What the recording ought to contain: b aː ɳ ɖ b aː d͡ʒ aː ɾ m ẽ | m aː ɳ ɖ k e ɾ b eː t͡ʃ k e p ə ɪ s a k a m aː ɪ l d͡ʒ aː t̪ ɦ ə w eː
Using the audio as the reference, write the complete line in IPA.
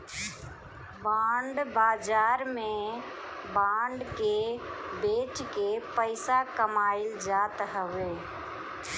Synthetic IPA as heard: b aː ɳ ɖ b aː d͡ʒ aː ɾ m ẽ | b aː ɳ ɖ k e b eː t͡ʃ k e p ə ɪ s a k ə m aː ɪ l d͡ʒ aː t̪ ɦ ə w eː